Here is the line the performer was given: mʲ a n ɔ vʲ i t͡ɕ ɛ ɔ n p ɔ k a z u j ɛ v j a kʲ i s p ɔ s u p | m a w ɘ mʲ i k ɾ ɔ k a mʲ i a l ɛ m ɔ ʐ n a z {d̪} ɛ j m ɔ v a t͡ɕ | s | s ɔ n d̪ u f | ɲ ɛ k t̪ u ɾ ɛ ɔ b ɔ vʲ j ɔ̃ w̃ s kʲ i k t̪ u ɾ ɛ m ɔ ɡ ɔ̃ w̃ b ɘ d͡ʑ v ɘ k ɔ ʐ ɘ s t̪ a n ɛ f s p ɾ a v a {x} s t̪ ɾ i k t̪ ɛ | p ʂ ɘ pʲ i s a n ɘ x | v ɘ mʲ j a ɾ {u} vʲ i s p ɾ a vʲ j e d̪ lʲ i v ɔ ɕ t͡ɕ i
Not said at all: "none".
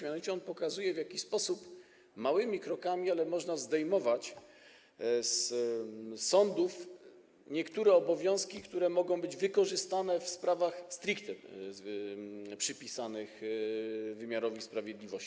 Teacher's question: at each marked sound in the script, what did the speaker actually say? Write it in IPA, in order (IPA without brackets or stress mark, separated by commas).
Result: d̪, x, ɔ